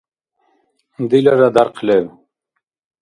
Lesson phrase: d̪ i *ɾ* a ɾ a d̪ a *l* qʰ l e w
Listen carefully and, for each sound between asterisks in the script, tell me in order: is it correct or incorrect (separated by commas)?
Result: incorrect, incorrect